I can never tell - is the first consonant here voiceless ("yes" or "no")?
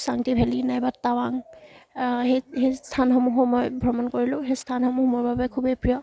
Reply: yes